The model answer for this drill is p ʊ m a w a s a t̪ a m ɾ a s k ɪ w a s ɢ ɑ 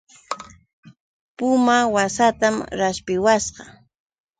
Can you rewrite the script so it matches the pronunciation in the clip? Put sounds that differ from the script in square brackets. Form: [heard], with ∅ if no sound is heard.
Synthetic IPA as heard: p ʊ m a w a s a t̪ a m ɾ a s [p] ɪ w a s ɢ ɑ